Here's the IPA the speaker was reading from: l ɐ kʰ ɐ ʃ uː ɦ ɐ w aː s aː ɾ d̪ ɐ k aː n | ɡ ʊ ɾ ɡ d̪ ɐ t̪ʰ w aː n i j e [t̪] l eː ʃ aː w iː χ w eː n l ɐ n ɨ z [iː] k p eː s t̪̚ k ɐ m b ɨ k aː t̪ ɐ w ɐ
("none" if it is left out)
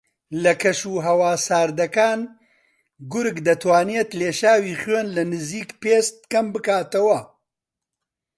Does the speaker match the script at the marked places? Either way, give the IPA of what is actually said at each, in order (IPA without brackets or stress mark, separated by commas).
t̪, iː